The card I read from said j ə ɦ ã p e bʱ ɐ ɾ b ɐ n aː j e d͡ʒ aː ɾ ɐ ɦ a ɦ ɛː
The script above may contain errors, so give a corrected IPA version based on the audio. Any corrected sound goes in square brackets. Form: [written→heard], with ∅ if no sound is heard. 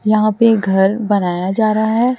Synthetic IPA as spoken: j [ə→ɐ] ɦ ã p e [bʱ→ɡʱ] ɐ ɾ b ɐ n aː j [e→a] d͡ʒ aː ɾ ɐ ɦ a ɦ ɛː